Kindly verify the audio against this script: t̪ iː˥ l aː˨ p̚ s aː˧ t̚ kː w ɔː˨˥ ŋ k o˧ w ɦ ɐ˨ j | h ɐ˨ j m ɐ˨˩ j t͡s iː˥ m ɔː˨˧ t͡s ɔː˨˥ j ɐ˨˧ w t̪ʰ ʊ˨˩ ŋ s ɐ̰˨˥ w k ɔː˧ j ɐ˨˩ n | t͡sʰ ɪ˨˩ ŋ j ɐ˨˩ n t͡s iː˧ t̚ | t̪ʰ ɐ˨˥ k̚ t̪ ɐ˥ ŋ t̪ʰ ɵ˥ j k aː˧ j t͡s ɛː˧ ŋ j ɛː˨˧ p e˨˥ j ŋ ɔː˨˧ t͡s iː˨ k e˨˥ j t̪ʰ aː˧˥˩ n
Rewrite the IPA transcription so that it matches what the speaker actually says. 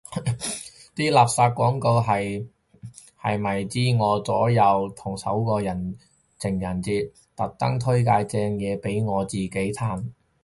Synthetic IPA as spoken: t̪ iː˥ l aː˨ p̚ s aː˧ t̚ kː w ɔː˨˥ ŋ k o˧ w ɦ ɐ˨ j | h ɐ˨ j m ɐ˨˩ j t͡s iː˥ ŋ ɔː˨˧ t͡s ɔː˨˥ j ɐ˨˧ w t̪ʰ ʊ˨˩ ŋ s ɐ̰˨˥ w k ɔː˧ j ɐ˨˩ n | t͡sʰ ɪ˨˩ ŋ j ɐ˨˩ n t͡s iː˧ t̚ | t̪ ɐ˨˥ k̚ t̪ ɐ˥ ŋ t̪ʰ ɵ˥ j k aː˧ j t͡s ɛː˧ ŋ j ɛː˨˧ p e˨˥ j ŋ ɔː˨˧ t͡s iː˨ k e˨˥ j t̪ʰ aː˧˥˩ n

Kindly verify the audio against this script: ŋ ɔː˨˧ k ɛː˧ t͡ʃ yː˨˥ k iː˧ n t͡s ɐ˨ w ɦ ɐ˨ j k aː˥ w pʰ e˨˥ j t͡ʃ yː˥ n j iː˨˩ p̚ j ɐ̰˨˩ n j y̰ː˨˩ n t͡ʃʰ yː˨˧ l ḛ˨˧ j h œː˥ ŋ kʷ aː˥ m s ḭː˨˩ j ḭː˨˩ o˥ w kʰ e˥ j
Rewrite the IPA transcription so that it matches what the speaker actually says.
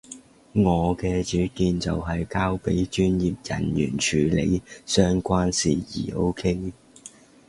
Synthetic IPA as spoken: ŋ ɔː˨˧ k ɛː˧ t͡ʃ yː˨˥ k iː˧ n t͡s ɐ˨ w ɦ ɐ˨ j k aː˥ w p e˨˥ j t͡ʃ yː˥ n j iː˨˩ p̚ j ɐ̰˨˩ n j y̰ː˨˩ n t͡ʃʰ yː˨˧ l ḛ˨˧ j s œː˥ ŋ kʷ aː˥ n s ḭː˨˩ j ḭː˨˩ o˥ w kʰ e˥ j

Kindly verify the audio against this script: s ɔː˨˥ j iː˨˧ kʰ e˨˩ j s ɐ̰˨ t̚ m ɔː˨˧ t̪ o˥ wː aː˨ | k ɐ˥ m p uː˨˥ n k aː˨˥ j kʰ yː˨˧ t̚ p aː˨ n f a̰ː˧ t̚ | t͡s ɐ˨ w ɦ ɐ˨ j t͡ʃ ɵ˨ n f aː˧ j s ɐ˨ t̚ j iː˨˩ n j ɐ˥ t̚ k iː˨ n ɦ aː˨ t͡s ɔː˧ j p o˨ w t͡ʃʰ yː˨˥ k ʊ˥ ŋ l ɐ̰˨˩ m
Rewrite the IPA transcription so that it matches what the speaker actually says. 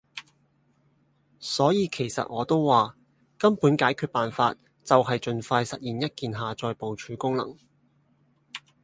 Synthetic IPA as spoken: s ɔː˨˥ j iː˨˧ kʰ e˨˩ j s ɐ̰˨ t̚ ŋ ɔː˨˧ t̪ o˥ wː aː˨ | k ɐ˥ m p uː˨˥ n k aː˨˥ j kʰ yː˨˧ t̚ p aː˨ n f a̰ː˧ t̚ | t͡s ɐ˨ w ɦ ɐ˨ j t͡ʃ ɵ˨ n f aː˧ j s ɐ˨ t̚ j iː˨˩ n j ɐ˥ t̚ k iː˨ n ɦ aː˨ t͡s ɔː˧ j p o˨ w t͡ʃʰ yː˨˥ k ʊ˥ ŋ l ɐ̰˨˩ ŋ

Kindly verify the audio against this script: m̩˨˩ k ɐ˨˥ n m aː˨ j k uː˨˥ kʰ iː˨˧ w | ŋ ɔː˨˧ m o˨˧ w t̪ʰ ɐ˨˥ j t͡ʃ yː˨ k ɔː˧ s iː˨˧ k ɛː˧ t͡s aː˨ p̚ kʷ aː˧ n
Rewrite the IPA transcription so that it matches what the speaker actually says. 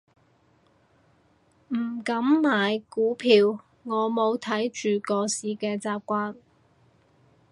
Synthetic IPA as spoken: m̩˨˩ k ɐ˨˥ m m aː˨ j k uː˨˥ pʰ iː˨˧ w | ŋ ɔː˨˧ m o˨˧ w t̪ʰ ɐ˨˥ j t͡ʃ yː˨ k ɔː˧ s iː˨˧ k ɛː˧ t͡s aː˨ p̚ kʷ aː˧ n

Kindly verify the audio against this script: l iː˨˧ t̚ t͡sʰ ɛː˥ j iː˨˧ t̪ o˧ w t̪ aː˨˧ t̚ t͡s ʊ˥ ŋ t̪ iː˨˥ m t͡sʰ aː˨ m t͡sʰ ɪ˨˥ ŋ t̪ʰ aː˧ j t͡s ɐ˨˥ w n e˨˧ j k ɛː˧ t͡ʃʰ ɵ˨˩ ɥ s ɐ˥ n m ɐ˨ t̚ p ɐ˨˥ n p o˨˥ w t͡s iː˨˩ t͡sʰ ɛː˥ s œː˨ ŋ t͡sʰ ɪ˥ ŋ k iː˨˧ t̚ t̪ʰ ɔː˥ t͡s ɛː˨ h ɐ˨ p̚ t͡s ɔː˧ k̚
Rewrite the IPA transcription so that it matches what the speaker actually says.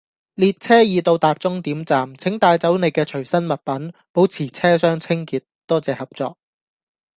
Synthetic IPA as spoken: l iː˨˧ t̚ t͡sʰ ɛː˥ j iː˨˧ t̪ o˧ w t̪ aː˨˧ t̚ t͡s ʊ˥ ŋ t̪ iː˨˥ m t͡s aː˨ m t͡sʰ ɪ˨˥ ŋ t̪ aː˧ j t͡s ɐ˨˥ w n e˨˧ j k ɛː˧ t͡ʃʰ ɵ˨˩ ɥ s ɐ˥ n m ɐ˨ t̚ p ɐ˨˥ n p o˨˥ w t͡sʰ iː˨˩ t͡sʰ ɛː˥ s œː˥ ŋ t͡sʰ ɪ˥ ŋ k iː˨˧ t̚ t̪ ɔː˥ t͡s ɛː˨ h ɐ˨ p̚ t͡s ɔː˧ k̚

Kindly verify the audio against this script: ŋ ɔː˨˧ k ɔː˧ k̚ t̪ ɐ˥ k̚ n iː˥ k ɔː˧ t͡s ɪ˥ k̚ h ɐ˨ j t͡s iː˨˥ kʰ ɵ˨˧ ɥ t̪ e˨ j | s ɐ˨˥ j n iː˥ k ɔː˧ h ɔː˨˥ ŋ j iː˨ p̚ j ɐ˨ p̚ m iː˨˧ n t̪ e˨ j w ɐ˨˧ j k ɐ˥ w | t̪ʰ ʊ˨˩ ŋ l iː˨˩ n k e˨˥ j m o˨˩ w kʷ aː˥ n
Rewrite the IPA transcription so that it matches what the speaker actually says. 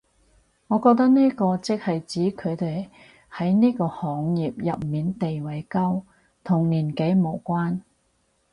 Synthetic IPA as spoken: ŋ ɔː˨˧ k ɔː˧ k̚ t̪ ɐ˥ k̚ n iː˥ k ɔː˧ t͡s ɪ˥ k̚ h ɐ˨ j t͡s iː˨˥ kʰ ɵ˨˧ ɥ t̪ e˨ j | h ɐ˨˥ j n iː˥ k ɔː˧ h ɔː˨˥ ŋ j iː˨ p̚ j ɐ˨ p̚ m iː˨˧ n t̪ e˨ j w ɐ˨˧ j k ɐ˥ w | t̪ʰ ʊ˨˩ ŋ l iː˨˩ n k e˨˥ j m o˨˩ w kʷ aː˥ n

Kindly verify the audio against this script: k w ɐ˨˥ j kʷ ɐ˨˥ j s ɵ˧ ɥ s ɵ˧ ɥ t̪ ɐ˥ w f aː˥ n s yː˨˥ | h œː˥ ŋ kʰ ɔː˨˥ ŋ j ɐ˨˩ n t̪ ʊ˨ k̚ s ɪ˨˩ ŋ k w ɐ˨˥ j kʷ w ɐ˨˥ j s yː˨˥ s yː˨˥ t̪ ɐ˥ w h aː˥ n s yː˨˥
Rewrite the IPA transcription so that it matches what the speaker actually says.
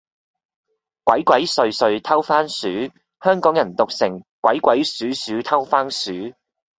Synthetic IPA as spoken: k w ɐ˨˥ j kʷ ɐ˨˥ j s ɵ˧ ɥ s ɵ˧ ɥ t̪ʰ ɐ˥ w f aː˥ n s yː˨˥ | h œː˥ ŋ k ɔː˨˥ ŋ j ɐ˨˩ n t̪ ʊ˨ k̚ s ɪ˨˩ ŋ k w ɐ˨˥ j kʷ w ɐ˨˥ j s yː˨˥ s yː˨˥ t̪ʰ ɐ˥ w f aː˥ n s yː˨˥

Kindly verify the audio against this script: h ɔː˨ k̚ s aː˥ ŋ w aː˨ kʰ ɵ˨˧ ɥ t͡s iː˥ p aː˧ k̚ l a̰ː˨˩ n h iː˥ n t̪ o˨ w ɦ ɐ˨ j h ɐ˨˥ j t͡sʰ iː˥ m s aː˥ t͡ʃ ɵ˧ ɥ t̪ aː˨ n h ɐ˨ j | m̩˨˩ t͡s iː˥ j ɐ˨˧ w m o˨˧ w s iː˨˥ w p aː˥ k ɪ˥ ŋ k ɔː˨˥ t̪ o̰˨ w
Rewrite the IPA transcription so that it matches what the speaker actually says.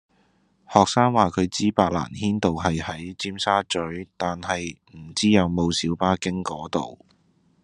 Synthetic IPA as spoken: h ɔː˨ k̚ s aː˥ ŋ w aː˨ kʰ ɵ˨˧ ɥ t͡s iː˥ p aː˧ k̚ l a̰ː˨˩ n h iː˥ n t̪ o˨ w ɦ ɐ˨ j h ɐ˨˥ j t͡s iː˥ m s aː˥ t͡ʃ ɵ˨˥ ɥ t̪ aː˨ n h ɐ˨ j | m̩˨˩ t͡s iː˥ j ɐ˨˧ w m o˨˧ w s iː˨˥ w p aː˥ k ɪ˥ ŋ k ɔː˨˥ t̪ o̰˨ w

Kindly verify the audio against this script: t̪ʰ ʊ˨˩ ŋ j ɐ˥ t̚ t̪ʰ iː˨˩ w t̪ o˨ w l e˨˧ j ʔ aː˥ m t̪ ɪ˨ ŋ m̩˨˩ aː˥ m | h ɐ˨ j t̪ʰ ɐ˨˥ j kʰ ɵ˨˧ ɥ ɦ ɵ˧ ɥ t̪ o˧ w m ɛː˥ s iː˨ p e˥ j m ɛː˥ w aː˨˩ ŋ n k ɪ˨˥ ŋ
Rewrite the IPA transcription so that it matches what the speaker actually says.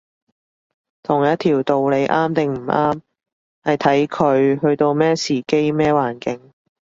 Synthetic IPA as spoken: t̪ʰ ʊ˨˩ ŋ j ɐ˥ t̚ t̪ʰ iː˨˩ w t̪ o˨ w l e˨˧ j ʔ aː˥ m t̪ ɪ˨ ŋ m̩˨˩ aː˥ m | h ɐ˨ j t̪ʰ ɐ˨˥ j kʰ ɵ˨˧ ɥ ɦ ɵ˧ ɥ t̪ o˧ w m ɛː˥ s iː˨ k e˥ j m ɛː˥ w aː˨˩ n k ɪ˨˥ ŋ

